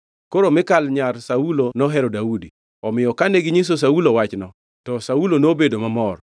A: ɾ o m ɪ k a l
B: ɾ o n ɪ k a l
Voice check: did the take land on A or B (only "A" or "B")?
A